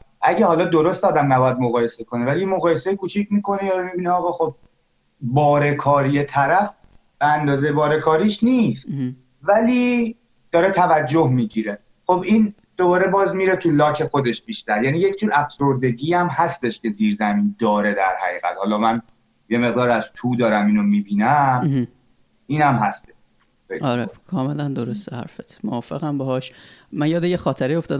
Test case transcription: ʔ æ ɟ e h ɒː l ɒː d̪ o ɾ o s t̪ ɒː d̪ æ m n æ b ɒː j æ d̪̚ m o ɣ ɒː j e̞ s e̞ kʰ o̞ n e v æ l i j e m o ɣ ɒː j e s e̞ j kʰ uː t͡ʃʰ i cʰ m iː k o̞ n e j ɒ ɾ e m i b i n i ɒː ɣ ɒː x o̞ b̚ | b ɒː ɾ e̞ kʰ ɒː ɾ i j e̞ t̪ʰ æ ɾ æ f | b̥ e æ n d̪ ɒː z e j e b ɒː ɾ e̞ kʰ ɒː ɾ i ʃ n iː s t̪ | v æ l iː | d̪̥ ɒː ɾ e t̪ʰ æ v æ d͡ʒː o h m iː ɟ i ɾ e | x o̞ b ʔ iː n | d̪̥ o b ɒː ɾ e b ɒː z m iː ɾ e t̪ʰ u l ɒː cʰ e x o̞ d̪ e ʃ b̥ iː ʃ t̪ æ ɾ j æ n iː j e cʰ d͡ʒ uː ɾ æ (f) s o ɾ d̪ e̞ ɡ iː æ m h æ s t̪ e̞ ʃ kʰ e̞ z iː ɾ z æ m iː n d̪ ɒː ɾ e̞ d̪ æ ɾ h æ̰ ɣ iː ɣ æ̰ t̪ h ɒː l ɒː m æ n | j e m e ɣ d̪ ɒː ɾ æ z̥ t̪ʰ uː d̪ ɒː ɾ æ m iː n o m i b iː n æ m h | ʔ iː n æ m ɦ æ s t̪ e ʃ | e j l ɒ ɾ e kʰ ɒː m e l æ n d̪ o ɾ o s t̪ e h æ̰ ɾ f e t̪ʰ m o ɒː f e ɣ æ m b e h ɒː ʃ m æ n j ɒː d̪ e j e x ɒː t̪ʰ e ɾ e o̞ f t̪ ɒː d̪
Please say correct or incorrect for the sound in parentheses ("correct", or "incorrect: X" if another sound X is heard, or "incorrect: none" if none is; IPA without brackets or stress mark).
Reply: correct